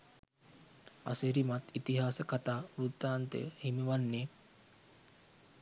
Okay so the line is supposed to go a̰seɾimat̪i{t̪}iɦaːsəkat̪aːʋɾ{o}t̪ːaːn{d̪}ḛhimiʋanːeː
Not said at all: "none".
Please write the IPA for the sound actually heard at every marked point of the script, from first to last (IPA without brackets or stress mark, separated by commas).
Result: t̪, u, t̪